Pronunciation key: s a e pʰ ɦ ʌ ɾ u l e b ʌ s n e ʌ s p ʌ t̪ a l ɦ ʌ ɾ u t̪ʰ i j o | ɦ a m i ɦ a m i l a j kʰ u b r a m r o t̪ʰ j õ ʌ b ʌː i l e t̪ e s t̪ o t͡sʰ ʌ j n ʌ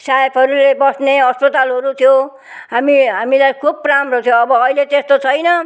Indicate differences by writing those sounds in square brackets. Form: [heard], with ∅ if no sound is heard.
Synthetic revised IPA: s a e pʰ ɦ ʌ ɾ u l e b ʌ s n e ʌ s p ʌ t̪ a l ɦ ʌ ɾ u t̪ʰ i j o | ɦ a m i ɦ a m i l a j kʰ u b r a m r o t̪ʰ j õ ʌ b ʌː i l e t̪ e s t̪ o t͡sʰ ʌ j n ʌ